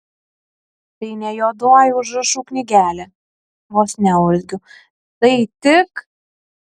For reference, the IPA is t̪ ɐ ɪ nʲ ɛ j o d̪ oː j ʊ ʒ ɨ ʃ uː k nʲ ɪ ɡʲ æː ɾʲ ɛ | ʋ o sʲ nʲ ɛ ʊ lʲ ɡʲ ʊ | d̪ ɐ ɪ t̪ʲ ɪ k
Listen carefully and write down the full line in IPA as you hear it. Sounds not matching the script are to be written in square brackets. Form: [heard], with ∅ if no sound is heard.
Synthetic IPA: t̪ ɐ ɪ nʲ ɛ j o d̪ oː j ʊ ʒ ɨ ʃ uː k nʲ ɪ ɡʲ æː [lʲ] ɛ | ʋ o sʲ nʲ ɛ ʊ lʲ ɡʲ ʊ | [t̪] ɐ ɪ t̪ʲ ɪ k

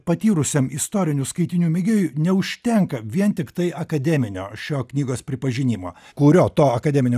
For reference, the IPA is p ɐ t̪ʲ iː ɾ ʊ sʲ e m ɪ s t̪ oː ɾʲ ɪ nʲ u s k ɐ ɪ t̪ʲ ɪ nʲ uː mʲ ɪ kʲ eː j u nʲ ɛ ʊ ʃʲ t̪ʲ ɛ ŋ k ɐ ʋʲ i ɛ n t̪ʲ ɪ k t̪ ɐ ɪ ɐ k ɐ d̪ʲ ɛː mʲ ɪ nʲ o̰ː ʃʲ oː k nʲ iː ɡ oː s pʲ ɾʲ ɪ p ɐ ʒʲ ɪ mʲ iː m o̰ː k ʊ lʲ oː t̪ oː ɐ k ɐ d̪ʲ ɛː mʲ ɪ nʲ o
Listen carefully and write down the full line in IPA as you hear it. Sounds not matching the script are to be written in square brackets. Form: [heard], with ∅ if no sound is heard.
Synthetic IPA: p ɐ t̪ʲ iː ɾ ʊ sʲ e m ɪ s t̪ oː ɾʲ ɪ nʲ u s k ɐ ɪ t̪ʲ ɪ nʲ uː mʲ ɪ [ɡʲ] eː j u nʲ ɛ ʊ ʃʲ t̪ʲ ɛ ŋ k ɐ ʋʲ i ɛ n t̪ʲ ɪ k t̪ ɐ ɪ ɐ k ɐ d̪ʲ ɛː mʲ ɪ nʲ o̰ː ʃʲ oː k nʲ iː ɡ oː s pʲ ɾʲ ɪ p ɐ ʒʲ ɪ [nʲ] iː m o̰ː k ʊ [ɾʲ] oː t̪ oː ɐ k ɐ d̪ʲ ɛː mʲ ɪ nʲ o

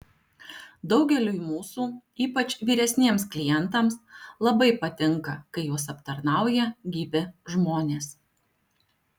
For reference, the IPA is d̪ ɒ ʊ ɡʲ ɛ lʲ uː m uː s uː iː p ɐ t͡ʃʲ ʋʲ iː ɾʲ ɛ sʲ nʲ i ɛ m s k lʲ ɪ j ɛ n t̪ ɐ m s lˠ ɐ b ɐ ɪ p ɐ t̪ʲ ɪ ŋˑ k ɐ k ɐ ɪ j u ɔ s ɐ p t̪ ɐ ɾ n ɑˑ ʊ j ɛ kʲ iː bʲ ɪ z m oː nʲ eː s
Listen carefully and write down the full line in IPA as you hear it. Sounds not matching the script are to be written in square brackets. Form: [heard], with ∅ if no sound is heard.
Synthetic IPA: d̪ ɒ ʊ ɡʲ ɛ lʲ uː m uː s uː iː p ɐ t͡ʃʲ ʋʲ iː ɾʲ ɛ sʲ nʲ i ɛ m s k lʲ ɪ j ɛ n t̪ ɐ m s lˠ ɐ b ɐ ɪ p ɐ t̪ʲ ɪ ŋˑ k ɐ k ɐ ɪ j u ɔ s ɐ p t̪ ɐ ɾ n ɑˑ ʊ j ɛ [ɡʲ] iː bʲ ɪ [ʒ] m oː nʲ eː s

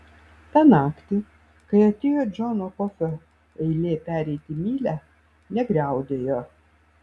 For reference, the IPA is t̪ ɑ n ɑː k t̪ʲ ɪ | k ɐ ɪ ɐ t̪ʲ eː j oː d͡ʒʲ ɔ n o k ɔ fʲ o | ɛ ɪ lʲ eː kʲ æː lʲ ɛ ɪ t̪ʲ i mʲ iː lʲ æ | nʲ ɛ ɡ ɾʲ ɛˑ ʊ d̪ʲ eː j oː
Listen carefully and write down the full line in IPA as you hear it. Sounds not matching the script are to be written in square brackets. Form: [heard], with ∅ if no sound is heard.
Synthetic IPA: t̪ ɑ n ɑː k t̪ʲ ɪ | k ɐ ɪ ɐ t̪ʲ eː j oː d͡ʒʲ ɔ n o k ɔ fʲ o | ɛ ɪ lʲ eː [pʲ] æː [ɾʲ] ɛ ɪ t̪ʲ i mʲ iː lʲ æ | nʲ ɛ ɡ ɾʲ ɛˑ ʊ d̪ʲ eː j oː

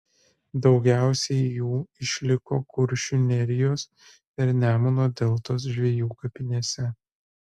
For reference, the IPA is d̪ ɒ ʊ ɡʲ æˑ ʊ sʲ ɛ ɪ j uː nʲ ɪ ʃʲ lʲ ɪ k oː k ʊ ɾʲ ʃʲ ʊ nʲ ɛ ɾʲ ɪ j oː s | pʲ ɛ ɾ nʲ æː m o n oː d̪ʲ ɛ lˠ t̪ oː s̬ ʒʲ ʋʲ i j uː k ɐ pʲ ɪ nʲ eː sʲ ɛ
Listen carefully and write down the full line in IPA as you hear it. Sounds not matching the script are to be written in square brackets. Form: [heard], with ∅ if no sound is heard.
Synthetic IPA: d̪ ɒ ʊ ɡʲ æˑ ʊ sʲ ɛ ɪ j uː [∅] ɪ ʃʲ lʲ ɪ k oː k ʊ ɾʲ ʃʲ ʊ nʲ ɛ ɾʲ ɪ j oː s | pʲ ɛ ɾ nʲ æː m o n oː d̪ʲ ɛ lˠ t̪ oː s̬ ʒʲ ʋʲ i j uː k ɐ pʲ ɪ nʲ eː sʲ ɛ

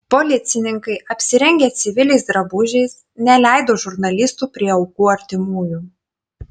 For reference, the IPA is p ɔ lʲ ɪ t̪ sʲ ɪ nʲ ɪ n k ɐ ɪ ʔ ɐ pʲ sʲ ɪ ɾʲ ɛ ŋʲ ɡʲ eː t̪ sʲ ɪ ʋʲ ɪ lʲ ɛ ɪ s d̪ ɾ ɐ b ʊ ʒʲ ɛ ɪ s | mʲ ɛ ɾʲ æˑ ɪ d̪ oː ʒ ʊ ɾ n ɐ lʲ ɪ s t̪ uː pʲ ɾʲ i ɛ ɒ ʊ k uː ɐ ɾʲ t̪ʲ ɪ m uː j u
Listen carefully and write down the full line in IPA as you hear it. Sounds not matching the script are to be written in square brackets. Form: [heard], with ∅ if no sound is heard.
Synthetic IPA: p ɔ lʲ ɪ t̪ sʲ ɪ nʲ ɪ [ŋ] k ɐ ɪ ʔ ɐ pʲ sʲ ɪ ɾʲ ɛ ŋʲ ɡʲ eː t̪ sʲ ɪ ʋʲ ɪ lʲ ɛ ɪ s d̪ ɾ ɐ b ʊ ʒʲ ɛ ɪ s | [nʲ] ɛ [lʲ] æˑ ɪ d̪ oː ʒ ʊ ɾ n ɐ lʲ ɪ s t̪ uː pʲ ɾʲ i ɛ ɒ ʊ k uː ɐ ɾʲ t̪ʲ ɪ m uː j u

